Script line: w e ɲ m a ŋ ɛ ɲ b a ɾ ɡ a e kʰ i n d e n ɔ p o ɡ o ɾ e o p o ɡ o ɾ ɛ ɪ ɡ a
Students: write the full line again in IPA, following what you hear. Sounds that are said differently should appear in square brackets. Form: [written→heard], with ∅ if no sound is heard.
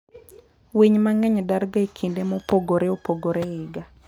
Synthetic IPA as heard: w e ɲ m a ŋ ɛ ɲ [b→d] a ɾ ɡ a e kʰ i n d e [n→m] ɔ p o ɡ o ɾ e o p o ɡ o ɾ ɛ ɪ ɡ a